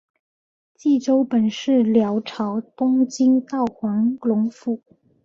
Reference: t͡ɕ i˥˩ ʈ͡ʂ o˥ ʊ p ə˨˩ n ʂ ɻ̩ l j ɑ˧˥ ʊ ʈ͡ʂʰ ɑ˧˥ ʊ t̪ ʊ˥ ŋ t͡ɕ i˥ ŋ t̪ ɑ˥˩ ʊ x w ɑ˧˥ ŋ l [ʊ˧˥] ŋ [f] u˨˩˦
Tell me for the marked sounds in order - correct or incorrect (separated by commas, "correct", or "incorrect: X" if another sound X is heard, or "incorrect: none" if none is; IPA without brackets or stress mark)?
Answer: correct, correct